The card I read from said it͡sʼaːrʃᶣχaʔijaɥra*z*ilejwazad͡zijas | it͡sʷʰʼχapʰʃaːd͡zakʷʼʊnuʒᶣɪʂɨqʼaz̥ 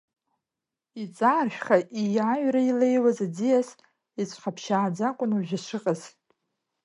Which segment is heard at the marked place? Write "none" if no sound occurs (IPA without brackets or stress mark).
none